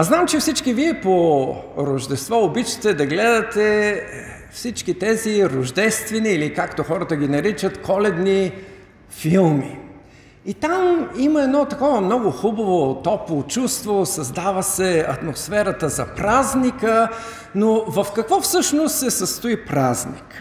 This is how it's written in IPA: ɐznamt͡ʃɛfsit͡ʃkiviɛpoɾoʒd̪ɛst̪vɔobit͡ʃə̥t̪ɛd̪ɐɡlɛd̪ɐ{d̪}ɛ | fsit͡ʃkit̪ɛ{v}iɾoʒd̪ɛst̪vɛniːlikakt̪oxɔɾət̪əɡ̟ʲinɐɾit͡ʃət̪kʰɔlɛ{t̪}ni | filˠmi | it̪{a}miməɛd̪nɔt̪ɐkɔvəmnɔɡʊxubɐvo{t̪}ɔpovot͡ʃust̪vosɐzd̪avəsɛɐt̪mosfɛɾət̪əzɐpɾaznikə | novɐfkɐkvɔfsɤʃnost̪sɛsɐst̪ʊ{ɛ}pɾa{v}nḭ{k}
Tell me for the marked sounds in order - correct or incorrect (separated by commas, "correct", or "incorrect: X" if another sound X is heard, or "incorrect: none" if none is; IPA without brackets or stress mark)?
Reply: incorrect: t̪, incorrect: z, incorrect: d̪, correct, correct, incorrect: i, incorrect: z, correct